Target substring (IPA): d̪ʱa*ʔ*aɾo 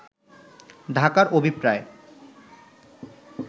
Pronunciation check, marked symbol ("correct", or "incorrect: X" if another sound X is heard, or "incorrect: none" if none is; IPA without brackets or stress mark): incorrect: k